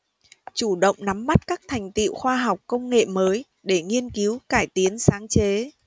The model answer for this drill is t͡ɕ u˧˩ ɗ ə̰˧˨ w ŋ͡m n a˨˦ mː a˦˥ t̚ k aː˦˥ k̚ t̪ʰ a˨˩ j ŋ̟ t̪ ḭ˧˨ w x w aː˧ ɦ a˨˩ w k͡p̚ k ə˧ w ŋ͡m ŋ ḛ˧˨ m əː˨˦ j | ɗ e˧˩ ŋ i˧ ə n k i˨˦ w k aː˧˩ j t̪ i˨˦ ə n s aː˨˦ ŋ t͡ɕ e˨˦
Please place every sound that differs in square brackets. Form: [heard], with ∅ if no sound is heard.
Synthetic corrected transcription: t͡ɕ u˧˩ ɗ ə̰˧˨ w ŋ͡m n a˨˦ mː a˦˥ t̚ k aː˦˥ k̚ t̪ʰ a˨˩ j ŋ̟ t̪ ḭ˧˨ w x w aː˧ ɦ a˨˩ w k͡p̚ k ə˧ w ŋ͡m ŋ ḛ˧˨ m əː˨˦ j | ɗ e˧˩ ŋ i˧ ə n k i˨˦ w k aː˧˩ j t̪ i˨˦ ə n s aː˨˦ ŋ t͡ɕ e˨˦